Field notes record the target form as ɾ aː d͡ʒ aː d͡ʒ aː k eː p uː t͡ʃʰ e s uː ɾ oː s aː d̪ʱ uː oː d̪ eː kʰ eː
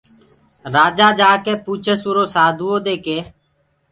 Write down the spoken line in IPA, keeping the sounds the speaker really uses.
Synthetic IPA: ɾ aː d͡ʒ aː d͡ʒ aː k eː p uː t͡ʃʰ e s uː ɾ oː s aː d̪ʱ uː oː d̪ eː k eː